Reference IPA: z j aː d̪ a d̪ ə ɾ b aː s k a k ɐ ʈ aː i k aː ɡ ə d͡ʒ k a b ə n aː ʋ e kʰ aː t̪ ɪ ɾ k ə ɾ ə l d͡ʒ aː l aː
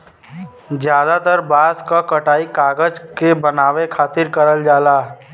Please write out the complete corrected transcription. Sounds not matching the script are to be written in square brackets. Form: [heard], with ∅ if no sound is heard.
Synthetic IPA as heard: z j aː d̪ a [t̪] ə ɾ b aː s k a k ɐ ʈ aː i k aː ɡ ə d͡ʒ k [e] b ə n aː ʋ e kʰ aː t̪ ɪ ɾ k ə ɾ ə l d͡ʒ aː l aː

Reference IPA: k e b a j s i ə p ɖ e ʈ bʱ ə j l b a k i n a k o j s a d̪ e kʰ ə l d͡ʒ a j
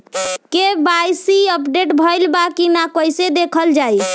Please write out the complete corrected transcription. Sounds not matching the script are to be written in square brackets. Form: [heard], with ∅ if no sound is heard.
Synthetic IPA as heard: k e b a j s i ə p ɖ e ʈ bʱ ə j l b a k i n a k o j s [e] d̪ e kʰ ə l d͡ʒ a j

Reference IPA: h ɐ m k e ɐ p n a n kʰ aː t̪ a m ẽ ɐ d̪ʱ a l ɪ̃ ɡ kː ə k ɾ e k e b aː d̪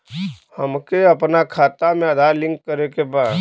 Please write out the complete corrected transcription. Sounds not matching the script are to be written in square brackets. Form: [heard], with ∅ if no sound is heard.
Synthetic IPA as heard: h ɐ m k e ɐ p n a [∅] kʰ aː t̪ a m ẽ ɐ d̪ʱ a l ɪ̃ [ŋ] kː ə [∅] ɾ e k e b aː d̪

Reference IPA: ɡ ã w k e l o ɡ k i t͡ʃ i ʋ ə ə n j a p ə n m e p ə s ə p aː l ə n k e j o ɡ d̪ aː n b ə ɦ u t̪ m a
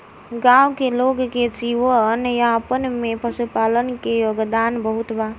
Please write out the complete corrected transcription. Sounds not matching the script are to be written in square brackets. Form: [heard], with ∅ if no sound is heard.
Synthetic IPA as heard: ɡ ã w k e l o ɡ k [e] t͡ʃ i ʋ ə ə n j a p ə n m e p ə s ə p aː l ə n k e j o ɡ d̪ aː n b ə ɦ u t̪ [b] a

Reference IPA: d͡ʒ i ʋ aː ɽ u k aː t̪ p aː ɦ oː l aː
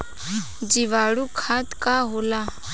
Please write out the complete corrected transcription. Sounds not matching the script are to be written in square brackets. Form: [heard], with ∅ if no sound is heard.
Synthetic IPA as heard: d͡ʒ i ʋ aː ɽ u [kʰ] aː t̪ [k] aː ɦ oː l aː

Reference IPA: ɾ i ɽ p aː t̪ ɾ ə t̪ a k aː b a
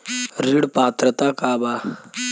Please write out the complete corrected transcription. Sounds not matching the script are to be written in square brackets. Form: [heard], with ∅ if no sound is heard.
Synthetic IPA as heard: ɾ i ɽ p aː t̪ ɾ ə t̪ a k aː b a

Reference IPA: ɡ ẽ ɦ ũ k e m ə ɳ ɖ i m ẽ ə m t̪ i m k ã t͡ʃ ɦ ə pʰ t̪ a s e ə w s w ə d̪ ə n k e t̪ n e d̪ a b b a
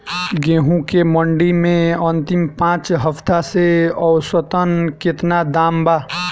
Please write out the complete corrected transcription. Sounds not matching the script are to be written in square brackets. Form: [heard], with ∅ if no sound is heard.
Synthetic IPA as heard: ɡ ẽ ɦ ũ k e m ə ɳ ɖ i m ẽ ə [n] t̪ i m [p] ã t͡ʃ ɦ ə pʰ t̪ a s e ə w s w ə [t̪] ə n k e t̪ n [a] d̪ a [m] b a

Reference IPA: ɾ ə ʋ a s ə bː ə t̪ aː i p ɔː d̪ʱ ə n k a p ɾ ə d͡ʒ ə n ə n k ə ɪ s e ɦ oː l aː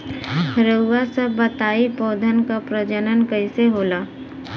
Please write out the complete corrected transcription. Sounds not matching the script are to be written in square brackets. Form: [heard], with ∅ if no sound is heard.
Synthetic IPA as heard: ɾ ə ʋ a s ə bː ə t̪ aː i p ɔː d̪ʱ ə n k a p ɾ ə d͡ʒ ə n ə n k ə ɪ s e ɦ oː l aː

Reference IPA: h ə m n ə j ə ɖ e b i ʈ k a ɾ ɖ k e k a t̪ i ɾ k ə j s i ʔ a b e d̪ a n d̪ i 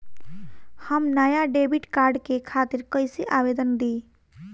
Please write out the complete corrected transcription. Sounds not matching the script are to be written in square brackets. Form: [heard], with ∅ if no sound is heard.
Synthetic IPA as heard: h ə m n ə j [a] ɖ e b i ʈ k a ɾ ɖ k e [kʰ] a t̪ i ɾ k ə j s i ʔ a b e d̪ [ə] n d̪ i

